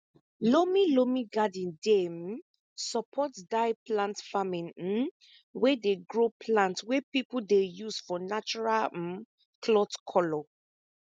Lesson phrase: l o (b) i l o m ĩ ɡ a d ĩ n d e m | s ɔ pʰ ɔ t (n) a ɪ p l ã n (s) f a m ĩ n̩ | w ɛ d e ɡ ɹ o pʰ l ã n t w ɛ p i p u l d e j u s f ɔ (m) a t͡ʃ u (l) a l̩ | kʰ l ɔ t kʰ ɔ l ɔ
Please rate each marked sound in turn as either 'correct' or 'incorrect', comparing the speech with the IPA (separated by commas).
incorrect, incorrect, incorrect, incorrect, incorrect